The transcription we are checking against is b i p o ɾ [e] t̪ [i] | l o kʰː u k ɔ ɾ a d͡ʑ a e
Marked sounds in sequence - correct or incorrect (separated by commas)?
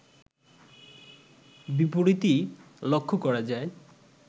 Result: incorrect, correct